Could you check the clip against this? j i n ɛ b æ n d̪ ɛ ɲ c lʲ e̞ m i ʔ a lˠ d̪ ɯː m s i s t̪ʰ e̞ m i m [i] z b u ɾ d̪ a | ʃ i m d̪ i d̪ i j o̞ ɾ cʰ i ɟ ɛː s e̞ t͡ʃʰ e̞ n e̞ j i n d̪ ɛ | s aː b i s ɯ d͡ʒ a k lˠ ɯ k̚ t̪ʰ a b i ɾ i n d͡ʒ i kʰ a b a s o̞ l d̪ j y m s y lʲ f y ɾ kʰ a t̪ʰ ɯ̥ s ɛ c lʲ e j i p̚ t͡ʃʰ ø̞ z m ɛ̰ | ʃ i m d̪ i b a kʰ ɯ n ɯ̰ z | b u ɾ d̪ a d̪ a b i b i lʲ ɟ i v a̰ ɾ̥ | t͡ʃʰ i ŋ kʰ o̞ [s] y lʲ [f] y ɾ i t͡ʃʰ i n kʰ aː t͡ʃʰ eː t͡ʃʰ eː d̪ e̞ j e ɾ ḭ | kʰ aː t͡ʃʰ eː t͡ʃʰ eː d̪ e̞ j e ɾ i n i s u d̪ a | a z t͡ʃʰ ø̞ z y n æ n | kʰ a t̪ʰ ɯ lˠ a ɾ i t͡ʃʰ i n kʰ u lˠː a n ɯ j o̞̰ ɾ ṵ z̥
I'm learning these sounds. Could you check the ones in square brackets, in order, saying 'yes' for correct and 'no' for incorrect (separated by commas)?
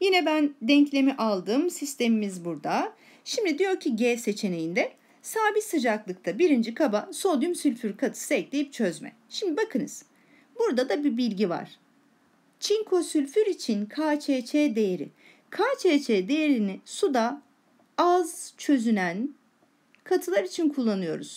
yes, yes, yes